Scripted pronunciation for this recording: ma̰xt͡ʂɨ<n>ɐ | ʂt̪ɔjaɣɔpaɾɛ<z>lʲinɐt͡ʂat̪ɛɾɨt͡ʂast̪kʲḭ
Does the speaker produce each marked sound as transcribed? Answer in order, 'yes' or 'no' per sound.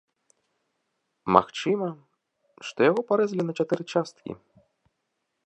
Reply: no, yes

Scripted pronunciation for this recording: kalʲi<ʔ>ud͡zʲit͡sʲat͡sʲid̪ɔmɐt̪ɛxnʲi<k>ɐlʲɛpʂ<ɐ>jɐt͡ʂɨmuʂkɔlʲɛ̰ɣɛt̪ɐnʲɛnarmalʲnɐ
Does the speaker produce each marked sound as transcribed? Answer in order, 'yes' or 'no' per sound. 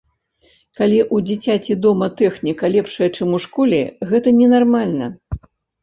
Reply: yes, yes, yes

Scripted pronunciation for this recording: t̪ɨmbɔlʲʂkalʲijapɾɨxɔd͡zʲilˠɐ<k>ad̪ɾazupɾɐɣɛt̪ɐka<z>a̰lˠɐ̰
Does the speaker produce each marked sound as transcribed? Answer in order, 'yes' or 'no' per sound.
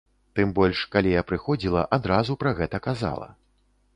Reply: no, yes

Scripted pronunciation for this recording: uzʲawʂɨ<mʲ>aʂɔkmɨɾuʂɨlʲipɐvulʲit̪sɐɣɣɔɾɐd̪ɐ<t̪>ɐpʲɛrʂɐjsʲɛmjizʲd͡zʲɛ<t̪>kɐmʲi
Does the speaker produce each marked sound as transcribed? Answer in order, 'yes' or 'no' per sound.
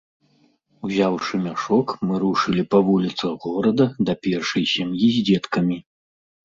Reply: yes, no, yes

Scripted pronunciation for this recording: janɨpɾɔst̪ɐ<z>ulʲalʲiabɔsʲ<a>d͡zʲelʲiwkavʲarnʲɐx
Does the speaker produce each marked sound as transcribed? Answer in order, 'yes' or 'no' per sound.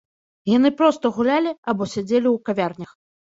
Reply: no, yes

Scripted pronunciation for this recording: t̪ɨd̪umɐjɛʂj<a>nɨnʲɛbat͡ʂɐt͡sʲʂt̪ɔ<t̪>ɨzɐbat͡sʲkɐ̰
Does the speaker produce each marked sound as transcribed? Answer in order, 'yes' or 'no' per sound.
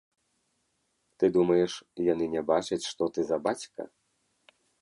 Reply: yes, yes

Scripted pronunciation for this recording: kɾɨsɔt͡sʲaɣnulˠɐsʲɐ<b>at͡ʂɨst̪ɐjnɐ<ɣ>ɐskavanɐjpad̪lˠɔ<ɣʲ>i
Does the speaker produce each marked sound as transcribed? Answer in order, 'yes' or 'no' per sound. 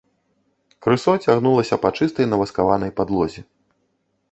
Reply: no, no, no

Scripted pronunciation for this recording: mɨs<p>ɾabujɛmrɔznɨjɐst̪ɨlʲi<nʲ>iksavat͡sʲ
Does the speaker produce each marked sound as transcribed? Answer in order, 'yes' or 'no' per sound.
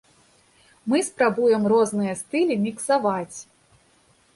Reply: yes, no

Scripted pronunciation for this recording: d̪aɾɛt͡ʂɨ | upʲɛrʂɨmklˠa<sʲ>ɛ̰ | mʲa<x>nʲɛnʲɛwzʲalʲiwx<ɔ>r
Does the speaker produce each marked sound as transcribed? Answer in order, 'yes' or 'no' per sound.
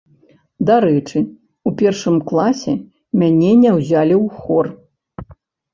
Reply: yes, no, yes

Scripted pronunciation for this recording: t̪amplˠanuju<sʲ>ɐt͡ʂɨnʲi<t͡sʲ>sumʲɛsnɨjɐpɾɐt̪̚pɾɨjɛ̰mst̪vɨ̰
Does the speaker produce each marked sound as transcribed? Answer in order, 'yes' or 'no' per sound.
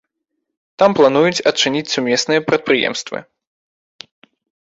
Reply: no, yes

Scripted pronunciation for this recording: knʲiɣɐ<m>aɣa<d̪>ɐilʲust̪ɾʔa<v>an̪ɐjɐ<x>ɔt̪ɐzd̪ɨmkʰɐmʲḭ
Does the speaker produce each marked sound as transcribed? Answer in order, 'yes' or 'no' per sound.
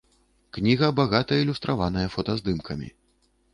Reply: no, no, yes, no

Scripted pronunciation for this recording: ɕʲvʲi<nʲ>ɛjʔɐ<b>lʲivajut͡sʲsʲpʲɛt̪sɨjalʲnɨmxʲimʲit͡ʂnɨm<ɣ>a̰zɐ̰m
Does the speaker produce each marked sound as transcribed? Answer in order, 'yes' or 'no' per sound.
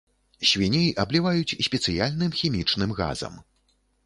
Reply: yes, yes, yes

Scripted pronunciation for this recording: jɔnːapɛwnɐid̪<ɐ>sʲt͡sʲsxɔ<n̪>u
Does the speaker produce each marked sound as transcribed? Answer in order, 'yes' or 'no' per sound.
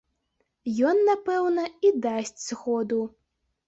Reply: no, no

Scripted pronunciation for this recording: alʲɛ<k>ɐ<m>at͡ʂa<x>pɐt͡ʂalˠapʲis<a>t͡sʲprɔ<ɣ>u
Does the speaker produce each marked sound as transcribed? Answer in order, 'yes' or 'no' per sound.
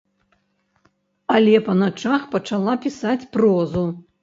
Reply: no, no, yes, yes, no

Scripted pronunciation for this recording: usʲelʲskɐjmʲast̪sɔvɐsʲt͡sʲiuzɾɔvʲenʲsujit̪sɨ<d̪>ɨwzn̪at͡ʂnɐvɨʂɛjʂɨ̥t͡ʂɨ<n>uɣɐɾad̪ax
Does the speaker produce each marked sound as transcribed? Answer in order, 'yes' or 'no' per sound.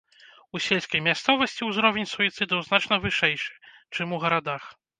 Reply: yes, no

